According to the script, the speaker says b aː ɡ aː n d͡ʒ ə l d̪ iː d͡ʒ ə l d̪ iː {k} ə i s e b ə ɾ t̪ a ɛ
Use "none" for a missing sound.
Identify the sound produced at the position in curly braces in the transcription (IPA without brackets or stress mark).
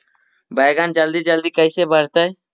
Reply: k